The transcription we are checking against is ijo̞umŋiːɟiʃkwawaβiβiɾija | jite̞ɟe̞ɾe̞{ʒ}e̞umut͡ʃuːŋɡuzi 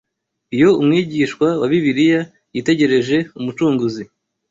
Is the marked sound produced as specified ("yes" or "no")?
yes